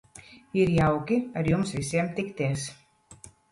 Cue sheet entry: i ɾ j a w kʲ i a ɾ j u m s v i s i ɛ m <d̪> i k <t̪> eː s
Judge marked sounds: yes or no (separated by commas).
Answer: no, yes